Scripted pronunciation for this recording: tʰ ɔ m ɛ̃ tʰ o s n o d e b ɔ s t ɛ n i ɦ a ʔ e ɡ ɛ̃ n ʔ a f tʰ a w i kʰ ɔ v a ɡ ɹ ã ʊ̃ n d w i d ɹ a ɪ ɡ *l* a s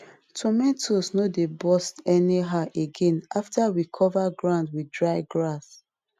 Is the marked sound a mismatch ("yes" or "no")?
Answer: yes